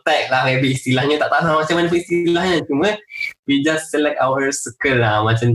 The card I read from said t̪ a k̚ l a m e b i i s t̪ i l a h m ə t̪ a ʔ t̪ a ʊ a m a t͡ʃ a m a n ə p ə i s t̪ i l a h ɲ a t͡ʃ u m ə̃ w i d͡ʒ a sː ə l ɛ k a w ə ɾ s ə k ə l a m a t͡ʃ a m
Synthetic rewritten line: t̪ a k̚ l a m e b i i s t̪ i l a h ɲ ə t̪ a ʔ t̪ a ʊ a m a t͡ʃ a m a n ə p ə i s t̪ i l a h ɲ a t͡ʃ u m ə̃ w i d͡ʒ a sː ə l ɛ k a w ə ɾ s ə k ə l a m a t͡ʃ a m